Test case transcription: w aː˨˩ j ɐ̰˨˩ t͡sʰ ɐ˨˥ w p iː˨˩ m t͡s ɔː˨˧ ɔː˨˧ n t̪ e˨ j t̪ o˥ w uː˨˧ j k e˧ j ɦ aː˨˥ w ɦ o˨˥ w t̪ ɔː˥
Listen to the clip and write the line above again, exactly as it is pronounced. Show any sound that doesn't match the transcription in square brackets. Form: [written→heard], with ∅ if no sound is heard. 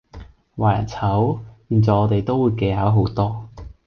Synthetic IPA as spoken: w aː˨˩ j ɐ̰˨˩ t͡sʰ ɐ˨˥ w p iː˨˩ [m→n] t͡s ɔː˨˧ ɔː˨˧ [n→∅] t̪ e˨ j t̪ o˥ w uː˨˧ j k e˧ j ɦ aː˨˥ w ɦ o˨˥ w t̪ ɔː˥